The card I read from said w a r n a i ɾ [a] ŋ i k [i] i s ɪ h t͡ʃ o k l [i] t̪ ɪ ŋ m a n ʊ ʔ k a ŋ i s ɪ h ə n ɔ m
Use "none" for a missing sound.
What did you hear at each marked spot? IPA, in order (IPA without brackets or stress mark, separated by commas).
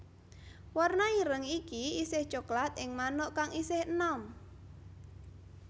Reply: ə, i, a